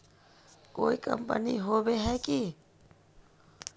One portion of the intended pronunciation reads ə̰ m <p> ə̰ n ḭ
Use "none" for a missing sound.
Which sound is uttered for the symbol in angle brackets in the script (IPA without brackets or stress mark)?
p